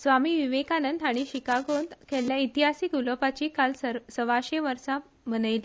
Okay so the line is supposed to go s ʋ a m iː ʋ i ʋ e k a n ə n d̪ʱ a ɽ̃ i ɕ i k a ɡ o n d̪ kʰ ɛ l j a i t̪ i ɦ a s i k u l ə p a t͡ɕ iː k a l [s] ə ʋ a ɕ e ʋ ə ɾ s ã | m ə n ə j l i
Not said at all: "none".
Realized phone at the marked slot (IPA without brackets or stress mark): s